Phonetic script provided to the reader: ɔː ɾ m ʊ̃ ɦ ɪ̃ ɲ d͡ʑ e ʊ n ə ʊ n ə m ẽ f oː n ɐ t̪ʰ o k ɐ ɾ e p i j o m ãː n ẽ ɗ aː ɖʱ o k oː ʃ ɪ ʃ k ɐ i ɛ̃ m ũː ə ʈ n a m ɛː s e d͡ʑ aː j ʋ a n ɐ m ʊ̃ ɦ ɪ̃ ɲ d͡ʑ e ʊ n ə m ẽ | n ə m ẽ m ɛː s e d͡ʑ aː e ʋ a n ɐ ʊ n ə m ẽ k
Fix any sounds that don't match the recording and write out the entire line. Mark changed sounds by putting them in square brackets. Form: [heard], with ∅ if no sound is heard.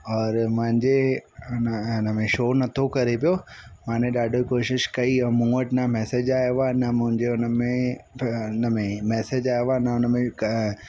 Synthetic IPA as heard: ɔː ɾ m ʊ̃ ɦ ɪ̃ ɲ d͡ʑ e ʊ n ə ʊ n ə m ẽ [ʃ] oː n ɐ t̪ʰ o k ɐ ɾ e p i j o m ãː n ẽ ɗ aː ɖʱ o k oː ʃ ɪ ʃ k ɐ i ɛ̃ m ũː ə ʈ n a m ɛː s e d͡ʑ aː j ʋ a n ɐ m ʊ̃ ɦ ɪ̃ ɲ d͡ʑ e ʊ n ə m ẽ | n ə m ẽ m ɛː s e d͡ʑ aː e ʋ a n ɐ ʊ n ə m ẽ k